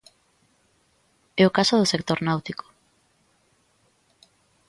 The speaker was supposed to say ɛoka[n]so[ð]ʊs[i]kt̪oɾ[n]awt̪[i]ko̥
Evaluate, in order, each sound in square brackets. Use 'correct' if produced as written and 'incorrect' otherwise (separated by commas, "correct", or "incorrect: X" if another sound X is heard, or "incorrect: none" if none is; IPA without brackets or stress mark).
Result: incorrect: none, correct, incorrect: e, correct, correct